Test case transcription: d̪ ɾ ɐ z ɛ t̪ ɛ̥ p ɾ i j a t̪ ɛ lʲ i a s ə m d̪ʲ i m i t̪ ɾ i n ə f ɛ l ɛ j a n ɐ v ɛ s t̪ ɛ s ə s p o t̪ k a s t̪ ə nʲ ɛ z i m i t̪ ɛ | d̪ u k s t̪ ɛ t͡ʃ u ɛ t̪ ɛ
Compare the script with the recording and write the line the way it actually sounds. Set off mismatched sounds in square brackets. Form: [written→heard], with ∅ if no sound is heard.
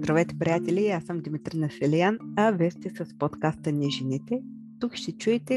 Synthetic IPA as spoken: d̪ ɾ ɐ [z→v] ɛ t̪ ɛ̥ p ɾ i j a t̪ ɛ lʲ i a s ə m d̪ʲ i m i t̪ ɾ i n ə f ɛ l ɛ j a n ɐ v ɛ s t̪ ɛ s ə s p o t̪ k a s t̪ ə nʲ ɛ [z→ʒ] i [m→n] i t̪ ɛ | [d̪→t̪] u k [s→ʃ] t̪ ɛ t͡ʃ u ɛ t̪ ɛ